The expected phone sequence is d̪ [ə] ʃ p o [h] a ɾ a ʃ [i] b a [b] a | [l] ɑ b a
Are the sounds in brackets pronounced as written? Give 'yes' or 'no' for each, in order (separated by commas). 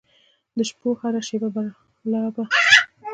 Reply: yes, yes, no, yes, yes